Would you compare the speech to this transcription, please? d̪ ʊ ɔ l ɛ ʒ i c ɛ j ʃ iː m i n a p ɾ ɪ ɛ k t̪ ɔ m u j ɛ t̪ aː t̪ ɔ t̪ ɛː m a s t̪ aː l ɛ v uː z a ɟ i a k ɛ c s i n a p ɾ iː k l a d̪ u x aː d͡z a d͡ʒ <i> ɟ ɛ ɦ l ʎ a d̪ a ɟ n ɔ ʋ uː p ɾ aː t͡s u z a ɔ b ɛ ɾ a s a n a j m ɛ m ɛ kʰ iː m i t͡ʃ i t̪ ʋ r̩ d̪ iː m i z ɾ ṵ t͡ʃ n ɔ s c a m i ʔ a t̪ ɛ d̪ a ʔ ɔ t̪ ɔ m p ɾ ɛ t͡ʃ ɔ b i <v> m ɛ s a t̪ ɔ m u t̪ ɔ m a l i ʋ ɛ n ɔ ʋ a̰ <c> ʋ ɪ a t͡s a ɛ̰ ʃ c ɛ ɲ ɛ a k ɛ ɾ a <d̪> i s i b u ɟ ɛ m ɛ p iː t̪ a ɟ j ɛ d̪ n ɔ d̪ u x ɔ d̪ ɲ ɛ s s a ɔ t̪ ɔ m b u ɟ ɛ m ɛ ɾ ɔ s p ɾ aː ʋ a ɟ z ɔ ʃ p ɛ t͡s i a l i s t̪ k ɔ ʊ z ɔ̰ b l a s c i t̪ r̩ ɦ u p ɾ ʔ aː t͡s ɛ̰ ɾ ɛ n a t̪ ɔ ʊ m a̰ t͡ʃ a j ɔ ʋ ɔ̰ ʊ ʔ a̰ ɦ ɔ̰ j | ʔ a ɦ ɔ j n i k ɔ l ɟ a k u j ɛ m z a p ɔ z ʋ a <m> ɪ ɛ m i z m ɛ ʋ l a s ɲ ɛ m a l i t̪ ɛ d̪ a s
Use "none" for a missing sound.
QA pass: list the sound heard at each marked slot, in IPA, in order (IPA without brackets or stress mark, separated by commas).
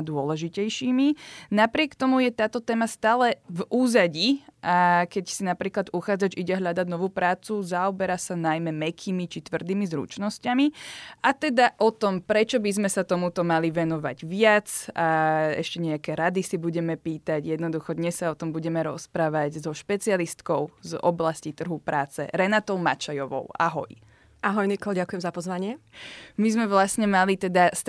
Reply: i, z, ɟ, d̪, ɲ